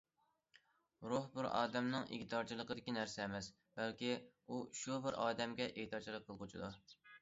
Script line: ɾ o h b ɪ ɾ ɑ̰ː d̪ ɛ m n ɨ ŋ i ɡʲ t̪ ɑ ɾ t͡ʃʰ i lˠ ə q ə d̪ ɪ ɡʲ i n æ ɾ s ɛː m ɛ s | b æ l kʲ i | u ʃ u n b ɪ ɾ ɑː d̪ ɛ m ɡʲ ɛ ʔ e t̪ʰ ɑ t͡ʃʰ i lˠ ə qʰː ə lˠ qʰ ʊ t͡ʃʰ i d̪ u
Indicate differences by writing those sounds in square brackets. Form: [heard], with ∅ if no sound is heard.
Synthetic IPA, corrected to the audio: ɾ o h b ɪ ɾ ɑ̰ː d̪ ɛ m n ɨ ŋ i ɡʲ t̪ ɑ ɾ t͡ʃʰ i lˠ ə q ə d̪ ɪ [kʲ] i n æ ɾ s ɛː m ɛ s | b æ l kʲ i | u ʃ u [∅] b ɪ ɾ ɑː d̪ ɛ m ɡʲ ɛ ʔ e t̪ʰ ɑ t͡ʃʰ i lˠ ə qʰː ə lˠ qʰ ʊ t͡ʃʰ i d̪ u

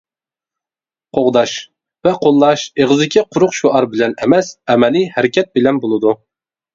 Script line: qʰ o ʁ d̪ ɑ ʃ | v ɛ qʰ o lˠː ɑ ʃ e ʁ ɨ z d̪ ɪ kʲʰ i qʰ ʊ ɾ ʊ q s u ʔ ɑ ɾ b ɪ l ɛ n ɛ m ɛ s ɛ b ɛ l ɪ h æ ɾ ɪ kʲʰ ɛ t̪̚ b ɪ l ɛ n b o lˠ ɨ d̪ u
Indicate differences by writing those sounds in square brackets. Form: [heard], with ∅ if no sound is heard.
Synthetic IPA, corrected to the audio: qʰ o ʁ d̪ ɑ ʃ | v ɛ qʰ o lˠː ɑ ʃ e ʁ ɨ z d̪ ɪ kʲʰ i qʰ ʊ ɾ ʊ q [ʃ] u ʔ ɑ ɾ b ɪ l ɛ n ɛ m ɛ s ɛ [m] ɛ l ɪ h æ ɾ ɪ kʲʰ ɛ t̪̚ b ɪ l ɛ n b o lˠ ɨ d̪ u

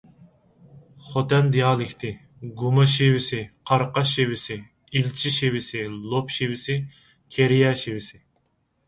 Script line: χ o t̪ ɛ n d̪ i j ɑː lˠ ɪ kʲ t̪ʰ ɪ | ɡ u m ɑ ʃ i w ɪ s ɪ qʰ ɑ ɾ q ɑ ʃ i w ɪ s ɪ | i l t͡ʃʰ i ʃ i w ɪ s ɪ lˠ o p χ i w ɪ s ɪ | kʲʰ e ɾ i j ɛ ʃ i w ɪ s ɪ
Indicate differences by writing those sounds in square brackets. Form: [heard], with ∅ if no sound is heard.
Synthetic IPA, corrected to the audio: χ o t̪ ɛ n d̪ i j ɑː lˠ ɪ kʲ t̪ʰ ɪ | ɡ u m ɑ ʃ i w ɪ s ɪ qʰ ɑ ɾ q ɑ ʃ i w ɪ s ɪ | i l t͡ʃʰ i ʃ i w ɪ s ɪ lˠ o p [ʃ] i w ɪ s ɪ | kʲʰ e ɾ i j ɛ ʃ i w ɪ s ɪ

